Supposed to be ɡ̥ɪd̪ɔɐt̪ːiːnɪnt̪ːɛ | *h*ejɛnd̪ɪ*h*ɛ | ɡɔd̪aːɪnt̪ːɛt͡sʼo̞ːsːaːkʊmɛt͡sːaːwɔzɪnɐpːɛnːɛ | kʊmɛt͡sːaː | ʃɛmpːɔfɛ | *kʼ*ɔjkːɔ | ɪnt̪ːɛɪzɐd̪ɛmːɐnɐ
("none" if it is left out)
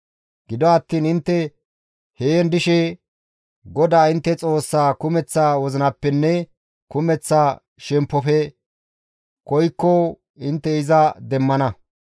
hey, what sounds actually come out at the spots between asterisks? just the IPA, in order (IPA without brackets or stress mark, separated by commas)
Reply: h, ʃ, k